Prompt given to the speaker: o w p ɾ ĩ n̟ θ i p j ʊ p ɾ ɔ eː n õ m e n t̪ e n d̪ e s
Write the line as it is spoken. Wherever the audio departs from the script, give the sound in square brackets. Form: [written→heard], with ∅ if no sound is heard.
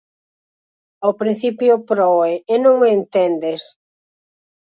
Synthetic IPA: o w p ɾ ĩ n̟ θ i p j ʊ p ɾ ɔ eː n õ [m→ŋ] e n t̪ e n d̪ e s